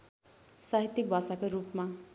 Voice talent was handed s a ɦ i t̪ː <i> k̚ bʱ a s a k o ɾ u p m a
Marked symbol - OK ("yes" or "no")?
yes